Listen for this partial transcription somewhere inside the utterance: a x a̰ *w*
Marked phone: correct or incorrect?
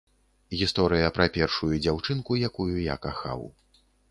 correct